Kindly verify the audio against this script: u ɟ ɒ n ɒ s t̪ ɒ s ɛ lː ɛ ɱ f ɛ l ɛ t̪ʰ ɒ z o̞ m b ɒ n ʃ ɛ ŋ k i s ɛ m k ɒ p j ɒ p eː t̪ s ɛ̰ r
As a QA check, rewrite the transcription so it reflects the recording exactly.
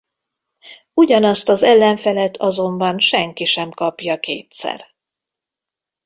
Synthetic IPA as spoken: u ɟ ɒ n ɒ s t̪ ɒ z ɛ lː ɛ ɱ f ɛ l ɛ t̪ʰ ɒ z o̞ m b ɒ n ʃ ɛ ŋ k i ʃ ɛ m k ɒ p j ɒ k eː t̪ s ɛ̰ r